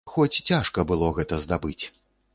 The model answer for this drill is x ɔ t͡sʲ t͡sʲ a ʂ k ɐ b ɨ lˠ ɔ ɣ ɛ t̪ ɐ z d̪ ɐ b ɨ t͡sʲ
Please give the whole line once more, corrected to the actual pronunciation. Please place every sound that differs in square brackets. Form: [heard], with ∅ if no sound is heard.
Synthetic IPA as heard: x ɔ t͡sʲ t͡sʲ a ʂ k ɐ b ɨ lˠ ɔ ɣ ɛ t̪ ɐ z d̪ [a] b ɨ t͡sʲ